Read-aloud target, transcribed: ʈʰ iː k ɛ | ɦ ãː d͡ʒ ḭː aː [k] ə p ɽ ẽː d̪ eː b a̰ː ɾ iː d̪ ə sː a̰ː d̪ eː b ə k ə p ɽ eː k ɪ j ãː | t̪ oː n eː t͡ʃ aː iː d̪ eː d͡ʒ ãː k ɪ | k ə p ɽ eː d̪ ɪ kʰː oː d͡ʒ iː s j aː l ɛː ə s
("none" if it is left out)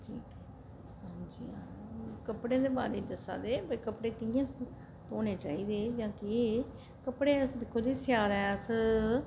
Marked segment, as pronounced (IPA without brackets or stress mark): k